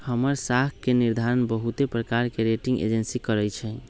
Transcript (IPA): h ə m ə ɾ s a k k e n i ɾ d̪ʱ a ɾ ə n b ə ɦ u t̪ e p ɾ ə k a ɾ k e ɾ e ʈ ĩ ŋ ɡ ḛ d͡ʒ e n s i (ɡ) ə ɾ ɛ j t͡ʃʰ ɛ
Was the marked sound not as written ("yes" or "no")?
yes